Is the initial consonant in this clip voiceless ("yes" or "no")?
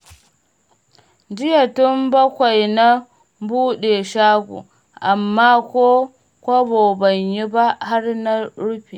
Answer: no